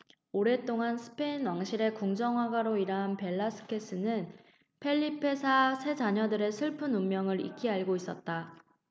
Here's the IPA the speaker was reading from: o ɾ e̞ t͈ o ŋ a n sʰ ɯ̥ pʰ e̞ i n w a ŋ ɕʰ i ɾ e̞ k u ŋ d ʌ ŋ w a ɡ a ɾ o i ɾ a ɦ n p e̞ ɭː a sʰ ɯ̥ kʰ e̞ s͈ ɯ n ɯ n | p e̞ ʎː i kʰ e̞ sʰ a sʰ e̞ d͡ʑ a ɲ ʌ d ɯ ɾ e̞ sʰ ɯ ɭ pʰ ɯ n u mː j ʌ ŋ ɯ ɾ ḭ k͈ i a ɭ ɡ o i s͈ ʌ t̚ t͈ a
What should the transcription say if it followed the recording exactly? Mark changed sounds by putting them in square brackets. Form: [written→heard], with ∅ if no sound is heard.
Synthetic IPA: o ɾ e̞ t͈ o ŋ a n sʰ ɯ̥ pʰ e̞ i n w a ŋ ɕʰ i ɾ e̞ k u ŋ [d→d͡ʑ] ʌ ŋ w a ɡ a ɾ o i ɾ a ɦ n p e̞ ɭː a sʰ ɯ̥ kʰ e̞ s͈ ɯ n ɯ n | [p→pʰ] e̞ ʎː i [kʰ→pʰ] e̞ sʰ a sʰ e̞ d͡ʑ a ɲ ʌ d ɯ ɾ e̞ sʰ ɯ ɭ pʰ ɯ n u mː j ʌ ŋ ɯ ɾ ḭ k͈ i a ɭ ɡ o i s͈ ʌ t̚ t͈ a